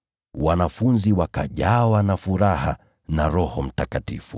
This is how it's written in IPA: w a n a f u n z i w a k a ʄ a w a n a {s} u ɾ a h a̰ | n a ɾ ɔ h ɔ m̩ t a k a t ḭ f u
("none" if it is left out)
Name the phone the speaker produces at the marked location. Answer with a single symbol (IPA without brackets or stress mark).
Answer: f